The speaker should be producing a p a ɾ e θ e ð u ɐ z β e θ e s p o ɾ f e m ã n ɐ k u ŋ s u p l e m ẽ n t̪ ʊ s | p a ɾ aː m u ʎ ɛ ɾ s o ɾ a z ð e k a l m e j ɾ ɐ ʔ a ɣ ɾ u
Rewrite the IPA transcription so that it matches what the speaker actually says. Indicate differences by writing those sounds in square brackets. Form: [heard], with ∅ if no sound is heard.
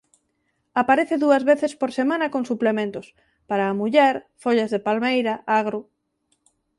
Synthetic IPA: a p a ɾ e θ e ð u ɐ z β e θ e s p o ɾ [s] e m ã n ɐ k [o] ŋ s u p l e m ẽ n t̪ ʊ s | p a ɾ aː m u ʎ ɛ ɾ [f] o [ʎ] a z ð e [p] a l m e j ɾ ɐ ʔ a ɣ ɾ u